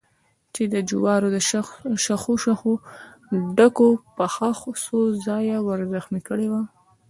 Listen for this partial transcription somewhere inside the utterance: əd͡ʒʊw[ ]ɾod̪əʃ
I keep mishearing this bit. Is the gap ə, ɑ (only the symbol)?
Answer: ɑ